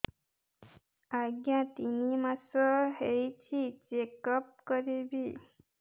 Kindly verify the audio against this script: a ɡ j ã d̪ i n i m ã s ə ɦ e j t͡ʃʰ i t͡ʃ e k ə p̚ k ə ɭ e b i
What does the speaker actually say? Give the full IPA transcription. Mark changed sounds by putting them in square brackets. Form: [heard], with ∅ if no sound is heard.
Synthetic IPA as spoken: a ɡ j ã [t̪] i n i m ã s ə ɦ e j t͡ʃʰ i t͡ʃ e k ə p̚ k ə [ɾ] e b i

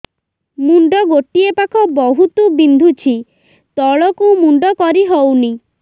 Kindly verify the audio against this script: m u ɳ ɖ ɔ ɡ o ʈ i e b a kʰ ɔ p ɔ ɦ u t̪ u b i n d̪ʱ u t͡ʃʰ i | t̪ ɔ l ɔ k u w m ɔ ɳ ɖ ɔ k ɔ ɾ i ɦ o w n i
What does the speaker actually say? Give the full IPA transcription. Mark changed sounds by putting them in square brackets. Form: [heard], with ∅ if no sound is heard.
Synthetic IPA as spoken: m u ɳ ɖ ɔ ɡ o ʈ i e [p] a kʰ ɔ [b] ɔ ɦ u t̪ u b i n d̪ʱ u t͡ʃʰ i | t̪ ɔ [ɭ] ɔ k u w m [u] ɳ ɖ ɔ k ɔ ɾ i ɦ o w n i

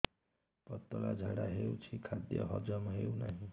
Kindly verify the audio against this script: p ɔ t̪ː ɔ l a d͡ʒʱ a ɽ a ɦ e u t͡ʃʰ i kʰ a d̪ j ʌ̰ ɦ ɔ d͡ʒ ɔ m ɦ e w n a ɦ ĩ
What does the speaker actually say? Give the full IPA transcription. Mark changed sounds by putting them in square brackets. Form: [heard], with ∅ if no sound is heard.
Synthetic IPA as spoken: p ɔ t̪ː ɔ l a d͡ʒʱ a ɽ a ɦ e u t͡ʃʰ i kʰ a d̪ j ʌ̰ ɦ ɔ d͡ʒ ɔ m ɦ e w n a ɦ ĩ

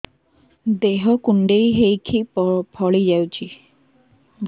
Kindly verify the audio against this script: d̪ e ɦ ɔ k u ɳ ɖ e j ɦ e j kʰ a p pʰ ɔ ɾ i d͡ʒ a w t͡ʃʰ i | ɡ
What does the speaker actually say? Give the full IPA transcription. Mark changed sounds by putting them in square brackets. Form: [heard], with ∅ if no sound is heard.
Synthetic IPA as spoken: d̪ e ɦ ɔ k u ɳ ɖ e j ɦ e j kʰ [i] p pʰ ɔ [ɭ] i d͡ʒ a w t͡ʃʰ i | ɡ

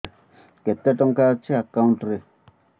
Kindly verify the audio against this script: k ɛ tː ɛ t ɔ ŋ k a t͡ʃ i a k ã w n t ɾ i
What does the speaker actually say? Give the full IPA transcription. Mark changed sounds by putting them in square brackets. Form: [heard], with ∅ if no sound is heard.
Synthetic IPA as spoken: k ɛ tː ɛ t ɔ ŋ k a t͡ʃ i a k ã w n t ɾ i

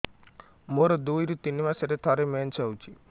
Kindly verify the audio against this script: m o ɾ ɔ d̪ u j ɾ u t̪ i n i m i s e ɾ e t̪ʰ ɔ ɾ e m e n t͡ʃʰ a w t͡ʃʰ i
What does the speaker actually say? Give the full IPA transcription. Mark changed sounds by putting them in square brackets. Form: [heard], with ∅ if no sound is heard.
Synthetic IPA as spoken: m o ɾ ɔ d̪ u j ɾ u t̪ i n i m [a] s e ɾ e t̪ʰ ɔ ɾ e m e n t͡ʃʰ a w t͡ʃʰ i

